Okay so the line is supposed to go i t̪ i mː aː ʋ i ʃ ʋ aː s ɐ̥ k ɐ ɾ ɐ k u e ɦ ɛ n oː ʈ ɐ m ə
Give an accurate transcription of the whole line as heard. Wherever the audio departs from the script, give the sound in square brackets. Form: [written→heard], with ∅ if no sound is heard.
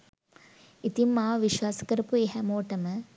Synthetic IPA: i t̪ i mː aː ʋ i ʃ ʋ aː s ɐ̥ k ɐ ɾ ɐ [k→p] u e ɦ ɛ [n→m] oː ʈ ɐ m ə